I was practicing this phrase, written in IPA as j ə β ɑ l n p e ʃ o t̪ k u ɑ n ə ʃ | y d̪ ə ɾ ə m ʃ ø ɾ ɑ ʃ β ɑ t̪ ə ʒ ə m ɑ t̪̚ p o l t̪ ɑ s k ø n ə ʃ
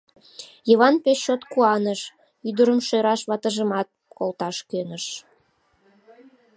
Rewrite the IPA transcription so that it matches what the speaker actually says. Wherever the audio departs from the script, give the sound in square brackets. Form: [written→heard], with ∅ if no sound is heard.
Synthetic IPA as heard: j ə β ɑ [l→∅] n p e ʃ o t̪ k u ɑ n ə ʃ | y d̪ ə ɾ ə m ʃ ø ɾ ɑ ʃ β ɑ t̪ ə ʒ ə m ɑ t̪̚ [p→k] o l t̪ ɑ [s→ʃ] k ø n ə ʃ